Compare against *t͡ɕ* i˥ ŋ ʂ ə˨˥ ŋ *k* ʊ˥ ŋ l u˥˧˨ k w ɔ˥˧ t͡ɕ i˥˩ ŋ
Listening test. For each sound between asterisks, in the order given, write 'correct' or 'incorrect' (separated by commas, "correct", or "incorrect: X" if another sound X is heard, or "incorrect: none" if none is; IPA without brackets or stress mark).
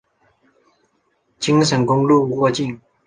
correct, correct